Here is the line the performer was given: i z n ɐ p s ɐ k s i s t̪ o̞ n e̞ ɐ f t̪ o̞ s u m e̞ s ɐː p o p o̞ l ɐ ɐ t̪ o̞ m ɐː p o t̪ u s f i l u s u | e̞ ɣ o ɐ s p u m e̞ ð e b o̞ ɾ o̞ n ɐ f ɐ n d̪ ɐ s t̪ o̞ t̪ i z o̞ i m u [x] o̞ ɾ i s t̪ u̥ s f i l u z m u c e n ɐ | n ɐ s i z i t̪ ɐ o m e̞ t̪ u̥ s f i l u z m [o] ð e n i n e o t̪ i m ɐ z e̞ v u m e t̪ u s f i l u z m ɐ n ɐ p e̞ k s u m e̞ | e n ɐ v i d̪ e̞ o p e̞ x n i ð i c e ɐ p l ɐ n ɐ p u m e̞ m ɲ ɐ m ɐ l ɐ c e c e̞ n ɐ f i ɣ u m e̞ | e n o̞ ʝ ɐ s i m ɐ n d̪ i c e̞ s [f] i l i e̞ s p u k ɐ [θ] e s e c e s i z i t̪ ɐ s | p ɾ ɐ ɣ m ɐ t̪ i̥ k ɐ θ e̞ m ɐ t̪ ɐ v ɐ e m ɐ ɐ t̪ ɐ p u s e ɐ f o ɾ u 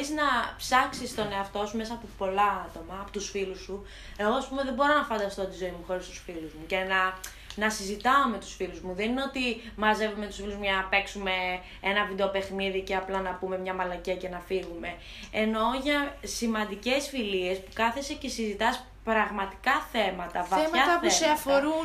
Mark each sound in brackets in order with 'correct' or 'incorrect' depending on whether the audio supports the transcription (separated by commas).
correct, incorrect, correct, correct